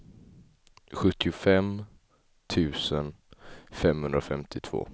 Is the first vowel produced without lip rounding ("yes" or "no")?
no